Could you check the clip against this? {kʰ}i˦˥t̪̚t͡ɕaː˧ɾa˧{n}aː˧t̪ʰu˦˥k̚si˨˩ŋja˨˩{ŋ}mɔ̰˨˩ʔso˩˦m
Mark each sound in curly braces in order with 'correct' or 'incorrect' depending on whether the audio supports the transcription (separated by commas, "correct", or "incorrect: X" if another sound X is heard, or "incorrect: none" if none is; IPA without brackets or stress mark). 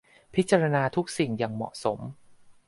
incorrect: pʰ, correct, correct